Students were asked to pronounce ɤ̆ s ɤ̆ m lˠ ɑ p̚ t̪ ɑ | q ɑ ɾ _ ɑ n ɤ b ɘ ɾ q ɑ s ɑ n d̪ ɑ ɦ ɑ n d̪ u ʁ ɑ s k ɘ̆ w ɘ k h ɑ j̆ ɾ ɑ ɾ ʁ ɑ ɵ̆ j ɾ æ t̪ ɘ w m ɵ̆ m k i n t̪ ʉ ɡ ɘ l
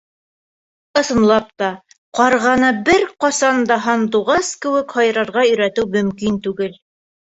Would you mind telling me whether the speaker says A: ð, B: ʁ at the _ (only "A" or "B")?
B